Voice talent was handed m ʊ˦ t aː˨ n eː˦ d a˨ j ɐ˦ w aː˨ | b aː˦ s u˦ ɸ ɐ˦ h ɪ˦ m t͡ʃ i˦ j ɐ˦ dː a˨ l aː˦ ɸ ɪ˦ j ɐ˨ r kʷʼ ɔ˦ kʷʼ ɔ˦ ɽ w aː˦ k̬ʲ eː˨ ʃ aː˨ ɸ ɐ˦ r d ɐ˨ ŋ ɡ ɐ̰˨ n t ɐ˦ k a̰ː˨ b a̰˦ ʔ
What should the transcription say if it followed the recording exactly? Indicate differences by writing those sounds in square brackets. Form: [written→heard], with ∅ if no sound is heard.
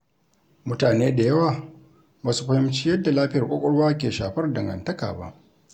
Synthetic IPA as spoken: m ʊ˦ t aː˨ n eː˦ d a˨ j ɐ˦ w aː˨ | b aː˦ s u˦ ɸ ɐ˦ h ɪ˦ m t͡ʃ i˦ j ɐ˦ dː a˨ l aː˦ ɸ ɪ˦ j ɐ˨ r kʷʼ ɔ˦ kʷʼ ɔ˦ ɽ w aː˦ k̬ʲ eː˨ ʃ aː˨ ɸ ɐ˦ r d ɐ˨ ŋ ɡ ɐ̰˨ n t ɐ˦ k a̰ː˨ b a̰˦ ʔ